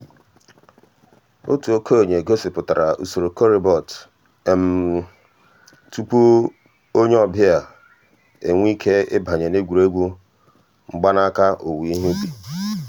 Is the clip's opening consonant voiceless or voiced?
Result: voiceless